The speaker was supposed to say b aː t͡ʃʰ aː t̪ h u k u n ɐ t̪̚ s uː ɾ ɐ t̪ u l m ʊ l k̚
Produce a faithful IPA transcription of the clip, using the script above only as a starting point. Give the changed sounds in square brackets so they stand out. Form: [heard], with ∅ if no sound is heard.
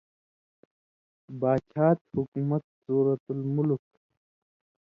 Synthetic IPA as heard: b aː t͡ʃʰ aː t̪ h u k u [m] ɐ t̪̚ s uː ɾ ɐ t̪ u l m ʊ l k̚

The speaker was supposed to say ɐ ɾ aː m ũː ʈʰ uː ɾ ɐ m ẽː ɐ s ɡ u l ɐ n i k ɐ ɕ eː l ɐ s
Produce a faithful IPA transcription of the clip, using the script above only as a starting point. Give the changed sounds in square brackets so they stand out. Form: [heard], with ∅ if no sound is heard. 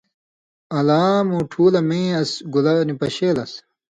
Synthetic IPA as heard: ɐ [l] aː m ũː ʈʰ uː [l] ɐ m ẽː ɐ s ɡ u l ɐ n i [p] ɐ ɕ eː l ɐ s

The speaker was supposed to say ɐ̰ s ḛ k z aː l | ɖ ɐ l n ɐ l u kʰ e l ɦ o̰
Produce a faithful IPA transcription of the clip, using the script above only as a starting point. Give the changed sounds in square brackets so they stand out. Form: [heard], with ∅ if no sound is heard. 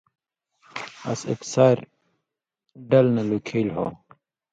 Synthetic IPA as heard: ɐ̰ s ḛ k [s] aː [ɾ] | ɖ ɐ l n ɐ l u kʰ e l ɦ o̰

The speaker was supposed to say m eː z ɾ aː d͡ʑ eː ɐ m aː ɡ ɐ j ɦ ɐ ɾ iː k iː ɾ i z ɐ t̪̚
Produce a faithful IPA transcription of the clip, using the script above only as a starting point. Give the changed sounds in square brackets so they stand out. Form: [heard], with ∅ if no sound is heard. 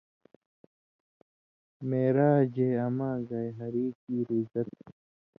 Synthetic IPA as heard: m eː [∅] ɾ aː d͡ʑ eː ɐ m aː ɡ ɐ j ɦ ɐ ɾ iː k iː ɾ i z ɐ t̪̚

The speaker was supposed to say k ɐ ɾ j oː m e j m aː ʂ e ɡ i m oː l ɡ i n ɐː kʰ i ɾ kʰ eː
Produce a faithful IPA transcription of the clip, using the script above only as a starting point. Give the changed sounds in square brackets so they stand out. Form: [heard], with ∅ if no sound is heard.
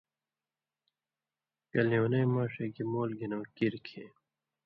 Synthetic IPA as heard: k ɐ [l] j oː [n] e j m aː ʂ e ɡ i m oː l ɡ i n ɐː [k] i ɾ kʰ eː

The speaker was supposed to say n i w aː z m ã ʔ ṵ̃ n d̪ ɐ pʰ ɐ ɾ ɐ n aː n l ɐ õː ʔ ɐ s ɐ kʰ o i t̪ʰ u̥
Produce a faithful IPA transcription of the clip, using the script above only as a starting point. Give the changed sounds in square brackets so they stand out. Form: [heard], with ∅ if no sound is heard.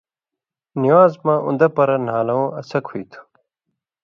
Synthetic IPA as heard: n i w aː z m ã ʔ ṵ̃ n d̪ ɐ [p] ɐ ɾ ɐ n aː [∅] l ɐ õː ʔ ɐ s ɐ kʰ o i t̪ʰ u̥

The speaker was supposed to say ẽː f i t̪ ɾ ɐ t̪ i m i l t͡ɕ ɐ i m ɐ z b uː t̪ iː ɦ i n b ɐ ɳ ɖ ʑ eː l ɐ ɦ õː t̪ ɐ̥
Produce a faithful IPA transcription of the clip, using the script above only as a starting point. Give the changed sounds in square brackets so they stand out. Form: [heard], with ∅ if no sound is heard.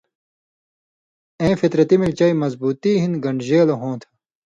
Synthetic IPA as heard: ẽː f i t̪ ɾ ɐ t̪ i m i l t͡ɕ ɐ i m ɐ z b uː t̪ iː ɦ i n [ɡ] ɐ ɳ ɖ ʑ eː l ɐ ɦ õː [t̪ʰ] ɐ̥

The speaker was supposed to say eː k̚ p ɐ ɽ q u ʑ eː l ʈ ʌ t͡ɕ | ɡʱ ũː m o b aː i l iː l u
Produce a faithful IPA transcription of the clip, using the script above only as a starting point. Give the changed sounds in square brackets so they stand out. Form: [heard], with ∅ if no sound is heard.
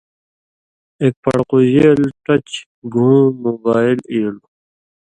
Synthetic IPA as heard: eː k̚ p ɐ ɽ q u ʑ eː l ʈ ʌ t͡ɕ | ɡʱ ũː m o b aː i l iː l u

